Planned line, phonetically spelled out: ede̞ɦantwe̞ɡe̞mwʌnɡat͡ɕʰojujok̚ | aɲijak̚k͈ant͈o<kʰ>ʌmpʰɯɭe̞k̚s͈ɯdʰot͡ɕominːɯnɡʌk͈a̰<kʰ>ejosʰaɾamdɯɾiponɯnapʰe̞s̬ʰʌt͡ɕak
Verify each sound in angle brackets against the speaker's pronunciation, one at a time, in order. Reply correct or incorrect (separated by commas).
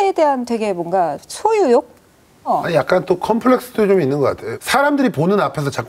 correct, incorrect